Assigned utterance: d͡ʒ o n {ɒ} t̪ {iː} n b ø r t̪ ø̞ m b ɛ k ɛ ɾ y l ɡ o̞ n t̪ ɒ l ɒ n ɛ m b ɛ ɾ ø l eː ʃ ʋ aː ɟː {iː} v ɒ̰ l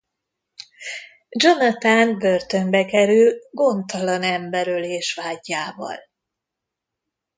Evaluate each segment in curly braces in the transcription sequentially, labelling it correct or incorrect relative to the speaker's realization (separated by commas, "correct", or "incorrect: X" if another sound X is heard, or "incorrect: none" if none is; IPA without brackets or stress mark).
correct, incorrect: aː, incorrect: aː